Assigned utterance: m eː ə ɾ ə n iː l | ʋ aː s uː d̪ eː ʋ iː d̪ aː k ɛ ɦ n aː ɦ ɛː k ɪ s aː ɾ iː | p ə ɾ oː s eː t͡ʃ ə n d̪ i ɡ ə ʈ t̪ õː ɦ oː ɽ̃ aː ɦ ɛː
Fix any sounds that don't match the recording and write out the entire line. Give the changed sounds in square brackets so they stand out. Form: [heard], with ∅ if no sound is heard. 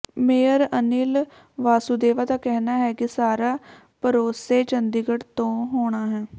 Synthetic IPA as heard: m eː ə ɾ ə n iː l | ʋ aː s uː d̪ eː ʋ [aː] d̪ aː k ɛ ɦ n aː ɦ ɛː k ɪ s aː ɾ [aː] | p ə ɾ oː s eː t͡ʃ ə n d̪ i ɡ ə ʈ t̪ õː ɦ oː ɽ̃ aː ɦ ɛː